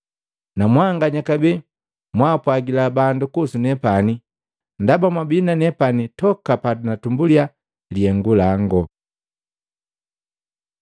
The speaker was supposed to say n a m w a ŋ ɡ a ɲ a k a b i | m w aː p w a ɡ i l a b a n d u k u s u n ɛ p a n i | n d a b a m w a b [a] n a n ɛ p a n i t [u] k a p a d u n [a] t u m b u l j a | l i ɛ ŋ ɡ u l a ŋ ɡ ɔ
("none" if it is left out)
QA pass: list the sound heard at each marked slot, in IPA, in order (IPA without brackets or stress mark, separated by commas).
i, ɔ, a